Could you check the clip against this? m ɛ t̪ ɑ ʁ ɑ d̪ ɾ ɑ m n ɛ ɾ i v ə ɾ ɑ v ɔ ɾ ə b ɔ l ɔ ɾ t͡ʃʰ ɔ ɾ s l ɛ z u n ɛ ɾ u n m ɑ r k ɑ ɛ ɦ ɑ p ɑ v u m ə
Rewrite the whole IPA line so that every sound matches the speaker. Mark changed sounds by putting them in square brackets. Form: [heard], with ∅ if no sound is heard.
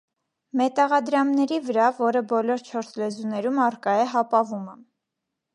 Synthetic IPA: m ɛ t̪ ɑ ʁ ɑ d̪ ɾ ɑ m n ɛ ɾ i v ə ɾ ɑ v ɔ ɾ ə b ɔ l ɔ ɾ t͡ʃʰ ɔ ɾ s l ɛ z u n ɛ ɾ u [∅] m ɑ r k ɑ ɛ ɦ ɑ p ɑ v u m ə

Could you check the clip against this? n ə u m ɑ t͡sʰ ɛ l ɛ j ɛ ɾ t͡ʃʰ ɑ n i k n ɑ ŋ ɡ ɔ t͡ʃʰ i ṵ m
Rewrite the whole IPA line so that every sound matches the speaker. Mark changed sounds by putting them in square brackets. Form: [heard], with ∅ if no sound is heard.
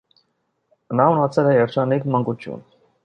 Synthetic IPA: n [ɑ] u [n] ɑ t͡sʰ ɛ l ɛ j ɛ ɾ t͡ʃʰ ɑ n i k [m] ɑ ŋ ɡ [u] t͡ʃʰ [j] ṵ [n]

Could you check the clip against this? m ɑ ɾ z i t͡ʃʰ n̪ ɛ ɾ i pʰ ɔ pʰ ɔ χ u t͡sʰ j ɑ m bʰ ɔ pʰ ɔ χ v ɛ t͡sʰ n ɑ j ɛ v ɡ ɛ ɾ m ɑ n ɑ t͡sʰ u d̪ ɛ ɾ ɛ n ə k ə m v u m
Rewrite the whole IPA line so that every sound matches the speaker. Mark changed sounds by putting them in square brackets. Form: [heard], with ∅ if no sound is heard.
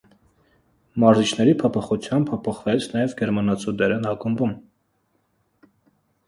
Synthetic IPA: m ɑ ɾ z i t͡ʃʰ n̪ ɛ ɾ i pʰ ɔ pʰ ɔ χ u t͡sʰ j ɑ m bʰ ɔ pʰ ɔ χ v ɛ t͡sʰ n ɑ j ɛ v ɡ ɛ ɾ m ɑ n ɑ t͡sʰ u d̪ ɛ ɾ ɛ n [ɑ] k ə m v u m

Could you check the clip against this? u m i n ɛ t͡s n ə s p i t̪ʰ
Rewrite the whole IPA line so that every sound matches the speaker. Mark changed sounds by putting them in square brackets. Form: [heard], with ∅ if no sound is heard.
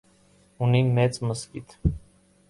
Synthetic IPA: u [n] i [m] ɛ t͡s [m] ə s [k] i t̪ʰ

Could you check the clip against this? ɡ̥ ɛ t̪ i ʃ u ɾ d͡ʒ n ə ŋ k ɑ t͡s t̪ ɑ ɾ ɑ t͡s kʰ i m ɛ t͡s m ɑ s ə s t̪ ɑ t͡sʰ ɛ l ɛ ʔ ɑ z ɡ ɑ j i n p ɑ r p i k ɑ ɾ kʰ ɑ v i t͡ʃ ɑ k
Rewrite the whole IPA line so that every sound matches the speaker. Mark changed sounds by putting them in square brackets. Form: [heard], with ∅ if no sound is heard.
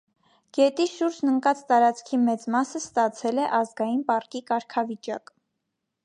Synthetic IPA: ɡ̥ ɛ t̪ i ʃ u ɾ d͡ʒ n ə ŋ k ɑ t͡s t̪ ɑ ɾ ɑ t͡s kʰ i m ɛ t͡s m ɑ s ə s t̪ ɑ t͡sʰ ɛ l ɛ ʔ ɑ z ɡ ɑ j i n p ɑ r [k] i k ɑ ɾ kʰ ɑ v i t͡ʃ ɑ k

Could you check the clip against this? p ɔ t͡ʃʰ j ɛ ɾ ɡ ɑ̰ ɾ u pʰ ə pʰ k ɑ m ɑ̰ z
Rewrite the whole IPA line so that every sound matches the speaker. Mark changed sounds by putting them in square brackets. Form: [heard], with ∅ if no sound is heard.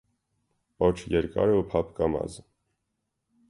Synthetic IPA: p ɔ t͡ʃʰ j ɛ ɾ [k] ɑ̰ ɾ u pʰ [ɑ] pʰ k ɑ m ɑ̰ z

